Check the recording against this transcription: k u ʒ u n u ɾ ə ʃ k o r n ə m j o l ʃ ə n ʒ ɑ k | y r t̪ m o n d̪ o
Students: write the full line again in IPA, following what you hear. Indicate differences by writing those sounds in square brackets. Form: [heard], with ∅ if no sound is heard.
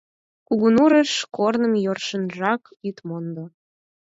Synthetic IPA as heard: k u [ɣ] u n u ɾ ə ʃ k o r n ə m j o [r] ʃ ə n ʒ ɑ k | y [∅] t̪ m o n d̪ o